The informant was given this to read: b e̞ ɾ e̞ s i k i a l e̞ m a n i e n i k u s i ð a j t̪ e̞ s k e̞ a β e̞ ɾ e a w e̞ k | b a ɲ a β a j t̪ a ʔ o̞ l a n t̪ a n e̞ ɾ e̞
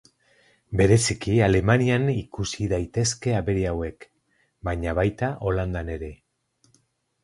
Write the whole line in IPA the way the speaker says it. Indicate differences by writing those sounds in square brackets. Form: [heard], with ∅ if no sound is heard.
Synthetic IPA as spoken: b e̞ ɾ e̞ s i k i a l e̞ m a n i [a] n i k u s i ð a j t̪ e̞ s k e̞ a β e̞ ɾ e a w e̞ k | b a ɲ a β a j t̪ a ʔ o̞ l a n [d̪] a n e̞ ɾ e̞